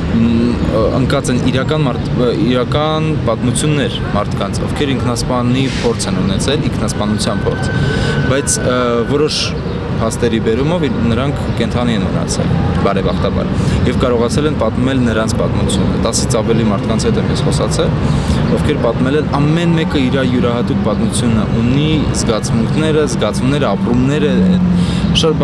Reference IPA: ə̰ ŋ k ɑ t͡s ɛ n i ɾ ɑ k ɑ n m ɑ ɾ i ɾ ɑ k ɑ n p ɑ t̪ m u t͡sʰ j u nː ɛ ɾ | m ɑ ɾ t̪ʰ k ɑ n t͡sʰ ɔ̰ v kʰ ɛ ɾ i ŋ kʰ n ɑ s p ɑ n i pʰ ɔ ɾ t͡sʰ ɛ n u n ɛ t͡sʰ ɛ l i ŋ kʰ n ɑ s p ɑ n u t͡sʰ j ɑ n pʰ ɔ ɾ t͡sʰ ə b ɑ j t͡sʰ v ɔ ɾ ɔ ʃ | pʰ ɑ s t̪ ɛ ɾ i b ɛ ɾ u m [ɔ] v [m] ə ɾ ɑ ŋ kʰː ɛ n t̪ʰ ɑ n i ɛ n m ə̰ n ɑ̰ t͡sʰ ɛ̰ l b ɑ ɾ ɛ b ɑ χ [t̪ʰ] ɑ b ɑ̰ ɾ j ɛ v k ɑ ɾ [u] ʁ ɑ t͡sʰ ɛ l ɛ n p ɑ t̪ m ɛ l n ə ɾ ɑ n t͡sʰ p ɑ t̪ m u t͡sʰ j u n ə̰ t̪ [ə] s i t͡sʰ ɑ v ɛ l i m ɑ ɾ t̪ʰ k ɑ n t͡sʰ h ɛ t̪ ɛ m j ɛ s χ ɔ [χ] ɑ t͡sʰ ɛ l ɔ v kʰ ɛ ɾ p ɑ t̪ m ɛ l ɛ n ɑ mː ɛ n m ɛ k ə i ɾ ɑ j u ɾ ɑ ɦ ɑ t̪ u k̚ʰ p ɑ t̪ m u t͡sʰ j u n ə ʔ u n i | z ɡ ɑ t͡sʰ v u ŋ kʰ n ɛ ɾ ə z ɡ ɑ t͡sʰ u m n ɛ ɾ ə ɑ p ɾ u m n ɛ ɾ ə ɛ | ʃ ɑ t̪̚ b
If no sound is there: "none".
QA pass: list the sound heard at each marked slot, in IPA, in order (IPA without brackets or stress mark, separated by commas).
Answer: ɔ, n, t̪, ɔ, ɑ, s